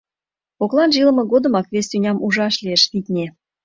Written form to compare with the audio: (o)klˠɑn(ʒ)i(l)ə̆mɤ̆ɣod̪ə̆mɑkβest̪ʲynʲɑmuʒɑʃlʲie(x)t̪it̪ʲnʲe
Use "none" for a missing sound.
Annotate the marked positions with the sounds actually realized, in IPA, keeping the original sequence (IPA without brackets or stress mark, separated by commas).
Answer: o, ʒ, l, ʃ